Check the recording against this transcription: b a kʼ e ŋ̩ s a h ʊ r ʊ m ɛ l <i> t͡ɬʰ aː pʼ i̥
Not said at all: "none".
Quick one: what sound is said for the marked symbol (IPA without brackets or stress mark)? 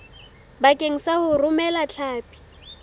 a